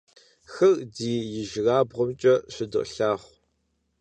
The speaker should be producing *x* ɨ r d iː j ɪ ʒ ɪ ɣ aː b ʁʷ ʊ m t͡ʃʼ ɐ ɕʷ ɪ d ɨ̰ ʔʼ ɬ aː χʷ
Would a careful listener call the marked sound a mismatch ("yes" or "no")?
no